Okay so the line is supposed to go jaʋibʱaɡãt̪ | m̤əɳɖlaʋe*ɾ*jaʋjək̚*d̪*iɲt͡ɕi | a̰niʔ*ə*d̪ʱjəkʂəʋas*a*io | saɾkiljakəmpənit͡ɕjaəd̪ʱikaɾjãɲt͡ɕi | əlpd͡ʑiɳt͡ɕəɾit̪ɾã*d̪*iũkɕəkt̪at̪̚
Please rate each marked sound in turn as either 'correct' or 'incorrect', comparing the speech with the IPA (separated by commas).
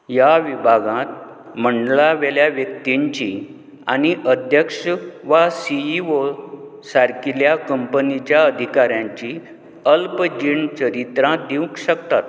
incorrect, incorrect, correct, incorrect, correct